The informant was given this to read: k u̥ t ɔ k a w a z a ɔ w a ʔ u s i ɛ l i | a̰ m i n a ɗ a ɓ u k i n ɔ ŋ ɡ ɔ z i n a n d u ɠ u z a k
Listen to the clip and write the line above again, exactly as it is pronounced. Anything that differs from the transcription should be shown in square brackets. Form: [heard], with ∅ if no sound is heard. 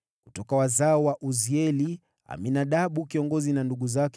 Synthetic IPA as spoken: k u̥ t ɔ k a w a z a ɔ w a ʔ u [z] i ɛ l i | a̰ m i n a ɗ a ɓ u k i [∅] ɔ ŋ ɡ ɔ z i n a n d u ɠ u z a k